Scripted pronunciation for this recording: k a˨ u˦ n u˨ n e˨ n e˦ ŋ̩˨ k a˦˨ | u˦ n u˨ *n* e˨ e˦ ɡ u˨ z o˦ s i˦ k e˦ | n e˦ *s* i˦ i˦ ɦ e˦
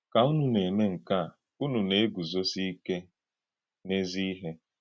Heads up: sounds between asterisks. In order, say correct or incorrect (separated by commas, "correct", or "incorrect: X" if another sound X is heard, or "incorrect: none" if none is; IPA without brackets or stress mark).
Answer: correct, incorrect: z